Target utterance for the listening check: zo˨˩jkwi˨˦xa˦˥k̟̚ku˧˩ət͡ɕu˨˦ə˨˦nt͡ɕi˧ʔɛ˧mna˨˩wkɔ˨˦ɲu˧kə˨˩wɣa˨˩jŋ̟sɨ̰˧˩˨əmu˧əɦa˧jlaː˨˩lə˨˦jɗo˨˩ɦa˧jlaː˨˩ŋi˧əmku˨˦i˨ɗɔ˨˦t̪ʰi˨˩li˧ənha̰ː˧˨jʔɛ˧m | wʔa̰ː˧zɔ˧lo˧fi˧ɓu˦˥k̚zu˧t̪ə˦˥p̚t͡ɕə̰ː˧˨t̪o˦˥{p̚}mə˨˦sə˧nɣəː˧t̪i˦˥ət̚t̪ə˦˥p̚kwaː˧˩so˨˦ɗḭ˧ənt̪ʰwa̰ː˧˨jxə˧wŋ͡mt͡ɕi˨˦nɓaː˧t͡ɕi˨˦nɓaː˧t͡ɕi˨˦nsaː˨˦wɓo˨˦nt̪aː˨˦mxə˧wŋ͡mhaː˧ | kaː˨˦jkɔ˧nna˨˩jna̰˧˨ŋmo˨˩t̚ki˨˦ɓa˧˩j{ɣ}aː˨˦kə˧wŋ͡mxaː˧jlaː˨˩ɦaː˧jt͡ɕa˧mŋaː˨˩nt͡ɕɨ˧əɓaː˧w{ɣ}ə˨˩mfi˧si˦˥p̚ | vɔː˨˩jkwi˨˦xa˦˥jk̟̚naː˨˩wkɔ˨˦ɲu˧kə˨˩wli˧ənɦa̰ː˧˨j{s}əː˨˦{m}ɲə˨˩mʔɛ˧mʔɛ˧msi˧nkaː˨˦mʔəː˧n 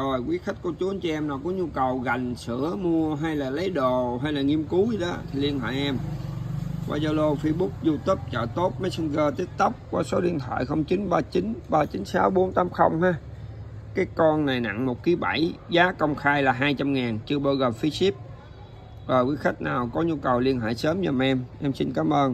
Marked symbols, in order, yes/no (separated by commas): no, no, yes, yes, yes